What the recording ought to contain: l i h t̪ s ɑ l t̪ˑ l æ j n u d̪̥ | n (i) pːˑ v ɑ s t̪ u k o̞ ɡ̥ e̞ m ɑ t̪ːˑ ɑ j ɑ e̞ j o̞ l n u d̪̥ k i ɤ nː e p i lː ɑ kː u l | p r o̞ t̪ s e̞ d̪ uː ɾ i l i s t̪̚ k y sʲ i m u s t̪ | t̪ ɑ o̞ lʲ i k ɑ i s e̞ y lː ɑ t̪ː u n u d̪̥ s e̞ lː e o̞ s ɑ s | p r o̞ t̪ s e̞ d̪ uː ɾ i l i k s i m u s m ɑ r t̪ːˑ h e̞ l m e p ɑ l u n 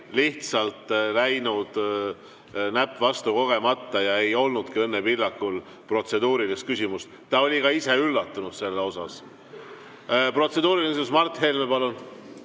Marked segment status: incorrect: æ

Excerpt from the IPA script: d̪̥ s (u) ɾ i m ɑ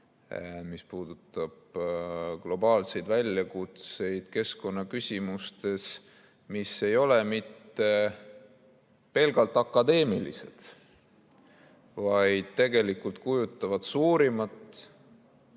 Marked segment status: incorrect: uː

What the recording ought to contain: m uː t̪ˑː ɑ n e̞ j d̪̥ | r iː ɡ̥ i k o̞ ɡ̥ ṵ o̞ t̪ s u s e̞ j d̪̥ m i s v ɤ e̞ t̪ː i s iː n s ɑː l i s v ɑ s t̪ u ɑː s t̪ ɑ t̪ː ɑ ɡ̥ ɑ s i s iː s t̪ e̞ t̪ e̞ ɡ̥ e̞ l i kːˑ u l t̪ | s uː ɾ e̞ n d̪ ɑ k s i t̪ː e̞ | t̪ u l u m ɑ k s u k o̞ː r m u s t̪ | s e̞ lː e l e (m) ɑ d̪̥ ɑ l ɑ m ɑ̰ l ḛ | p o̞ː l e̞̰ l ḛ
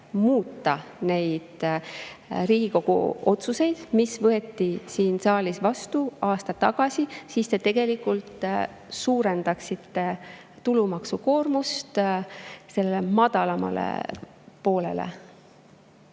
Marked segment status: correct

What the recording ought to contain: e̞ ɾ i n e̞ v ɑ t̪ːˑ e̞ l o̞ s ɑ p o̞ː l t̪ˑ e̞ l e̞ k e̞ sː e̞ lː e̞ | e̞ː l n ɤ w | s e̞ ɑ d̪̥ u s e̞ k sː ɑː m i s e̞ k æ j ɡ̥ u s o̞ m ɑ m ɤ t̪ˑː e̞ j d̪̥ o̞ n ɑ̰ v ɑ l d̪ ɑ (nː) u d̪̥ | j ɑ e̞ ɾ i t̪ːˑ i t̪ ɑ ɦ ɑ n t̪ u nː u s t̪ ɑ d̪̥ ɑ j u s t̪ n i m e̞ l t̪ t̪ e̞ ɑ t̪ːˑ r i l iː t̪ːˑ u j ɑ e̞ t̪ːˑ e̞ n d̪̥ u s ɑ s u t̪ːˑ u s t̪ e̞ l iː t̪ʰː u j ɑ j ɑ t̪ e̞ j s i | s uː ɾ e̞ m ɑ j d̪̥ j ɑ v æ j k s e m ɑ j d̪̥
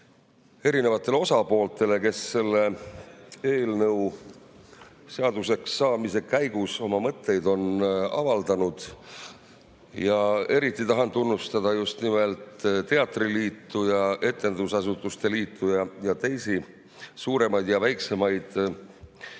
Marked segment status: incorrect: n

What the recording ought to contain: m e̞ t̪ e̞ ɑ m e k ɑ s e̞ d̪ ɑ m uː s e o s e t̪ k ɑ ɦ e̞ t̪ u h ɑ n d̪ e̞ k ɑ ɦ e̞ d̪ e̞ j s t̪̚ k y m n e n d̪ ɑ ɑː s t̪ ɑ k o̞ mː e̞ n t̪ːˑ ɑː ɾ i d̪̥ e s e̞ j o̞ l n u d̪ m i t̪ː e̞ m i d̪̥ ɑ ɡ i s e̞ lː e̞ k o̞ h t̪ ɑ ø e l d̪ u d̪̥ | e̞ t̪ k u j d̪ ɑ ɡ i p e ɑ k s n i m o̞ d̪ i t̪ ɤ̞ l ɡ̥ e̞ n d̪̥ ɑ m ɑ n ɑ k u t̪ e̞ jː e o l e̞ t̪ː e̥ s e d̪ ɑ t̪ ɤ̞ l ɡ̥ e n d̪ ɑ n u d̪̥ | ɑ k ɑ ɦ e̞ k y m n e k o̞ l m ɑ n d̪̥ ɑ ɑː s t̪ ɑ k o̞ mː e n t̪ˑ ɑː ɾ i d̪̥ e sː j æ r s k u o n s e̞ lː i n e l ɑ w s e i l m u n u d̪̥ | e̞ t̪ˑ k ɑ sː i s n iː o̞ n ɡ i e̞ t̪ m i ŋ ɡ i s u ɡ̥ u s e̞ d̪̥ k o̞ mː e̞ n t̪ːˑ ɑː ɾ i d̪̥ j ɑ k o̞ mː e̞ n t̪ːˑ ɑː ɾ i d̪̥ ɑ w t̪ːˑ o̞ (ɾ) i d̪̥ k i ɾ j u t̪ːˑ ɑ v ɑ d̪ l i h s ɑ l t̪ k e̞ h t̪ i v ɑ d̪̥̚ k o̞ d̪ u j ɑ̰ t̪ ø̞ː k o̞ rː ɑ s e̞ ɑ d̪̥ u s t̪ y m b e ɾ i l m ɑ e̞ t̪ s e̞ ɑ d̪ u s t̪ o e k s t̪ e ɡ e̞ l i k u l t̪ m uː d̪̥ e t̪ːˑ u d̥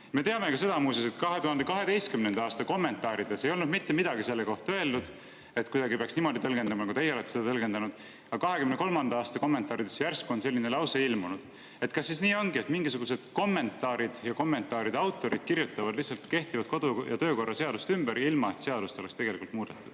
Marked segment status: correct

